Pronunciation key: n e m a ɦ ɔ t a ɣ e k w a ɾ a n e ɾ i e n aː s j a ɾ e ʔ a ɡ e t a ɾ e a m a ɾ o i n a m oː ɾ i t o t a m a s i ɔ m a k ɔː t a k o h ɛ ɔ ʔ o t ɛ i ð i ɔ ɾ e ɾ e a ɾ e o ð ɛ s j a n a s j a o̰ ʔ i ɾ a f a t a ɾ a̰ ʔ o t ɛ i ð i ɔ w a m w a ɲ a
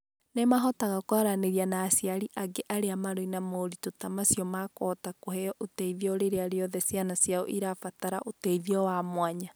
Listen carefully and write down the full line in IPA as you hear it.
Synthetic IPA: n e m a ɦ ɔ t a ɣ a k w a ɾ a n e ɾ i a n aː s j a ɾ i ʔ a ɡ e ʔ a ɾ e a m a ɾ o i n a m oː ɾ i t o t a m a s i ɔ m a k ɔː t a k o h ɛ ɔ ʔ o t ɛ i ð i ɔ ɾ e ɾ e a ɾ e ɔ ð ɛ s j a n a s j a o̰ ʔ i ɾ a f a t a ɾ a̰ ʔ o t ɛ i ð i ɔ w a m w a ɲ a